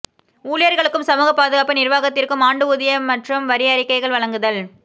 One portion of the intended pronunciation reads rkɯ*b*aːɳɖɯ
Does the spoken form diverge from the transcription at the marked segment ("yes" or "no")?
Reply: yes